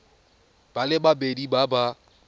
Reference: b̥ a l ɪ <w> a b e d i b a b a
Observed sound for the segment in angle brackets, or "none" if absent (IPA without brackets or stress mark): b